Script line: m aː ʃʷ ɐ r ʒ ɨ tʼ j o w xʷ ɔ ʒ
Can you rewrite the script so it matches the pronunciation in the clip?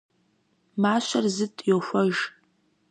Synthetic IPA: m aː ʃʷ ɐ r z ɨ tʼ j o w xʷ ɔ ʒ